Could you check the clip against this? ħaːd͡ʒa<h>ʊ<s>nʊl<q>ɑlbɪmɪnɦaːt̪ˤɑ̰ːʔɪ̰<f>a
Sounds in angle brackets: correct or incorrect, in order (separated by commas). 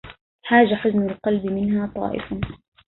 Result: incorrect, incorrect, correct, correct